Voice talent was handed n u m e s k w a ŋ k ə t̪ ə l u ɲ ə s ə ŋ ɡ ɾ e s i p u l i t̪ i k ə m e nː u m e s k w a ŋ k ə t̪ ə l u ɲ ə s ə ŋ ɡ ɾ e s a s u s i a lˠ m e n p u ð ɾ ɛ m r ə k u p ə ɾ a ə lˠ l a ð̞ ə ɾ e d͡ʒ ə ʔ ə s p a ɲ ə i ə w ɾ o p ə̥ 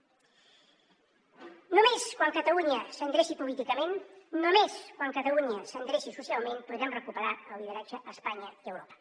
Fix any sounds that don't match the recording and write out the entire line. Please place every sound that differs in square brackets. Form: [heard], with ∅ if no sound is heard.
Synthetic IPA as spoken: n u m e s k w a ŋ k ə t̪ ə l u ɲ ə s ə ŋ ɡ ɾ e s i p u l i t̪ i k ə m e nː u m e s k w a ŋ k ə t̪ ə l u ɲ ə s ə ŋ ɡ ɾ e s [i] s u s i a lˠ m e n p u ð ɾ ɛ m r ə k u p ə ɾ a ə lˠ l [i] ð̞ ə ɾ [a] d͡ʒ ə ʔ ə s p a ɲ ə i ə w ɾ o p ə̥